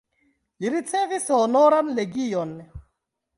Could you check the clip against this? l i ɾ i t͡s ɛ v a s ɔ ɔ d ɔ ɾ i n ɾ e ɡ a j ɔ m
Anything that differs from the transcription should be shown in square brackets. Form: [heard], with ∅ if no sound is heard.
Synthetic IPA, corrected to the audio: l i ɾ i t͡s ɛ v [i] s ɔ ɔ [n] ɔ ɾ [a] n [l] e ɡ [i] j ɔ [n]